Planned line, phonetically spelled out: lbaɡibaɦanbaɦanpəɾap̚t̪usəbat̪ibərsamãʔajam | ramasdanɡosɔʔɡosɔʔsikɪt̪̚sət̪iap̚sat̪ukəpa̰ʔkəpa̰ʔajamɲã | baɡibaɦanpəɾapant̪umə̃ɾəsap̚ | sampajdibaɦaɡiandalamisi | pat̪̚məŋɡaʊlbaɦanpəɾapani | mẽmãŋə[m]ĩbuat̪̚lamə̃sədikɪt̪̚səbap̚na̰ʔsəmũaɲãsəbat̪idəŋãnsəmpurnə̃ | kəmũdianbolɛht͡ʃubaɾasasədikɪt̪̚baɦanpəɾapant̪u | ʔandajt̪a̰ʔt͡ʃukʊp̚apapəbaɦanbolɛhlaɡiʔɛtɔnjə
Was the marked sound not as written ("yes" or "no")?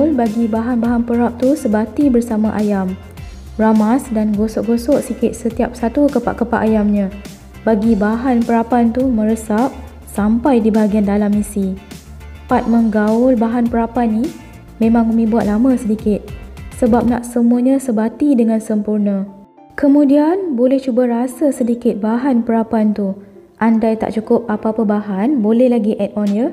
no